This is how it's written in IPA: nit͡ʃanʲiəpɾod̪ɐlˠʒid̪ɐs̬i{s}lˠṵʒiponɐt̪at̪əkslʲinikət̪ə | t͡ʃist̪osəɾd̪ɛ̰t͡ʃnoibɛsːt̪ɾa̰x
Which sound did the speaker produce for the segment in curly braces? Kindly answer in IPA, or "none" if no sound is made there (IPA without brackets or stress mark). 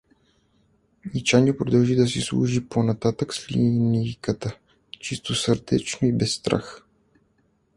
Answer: s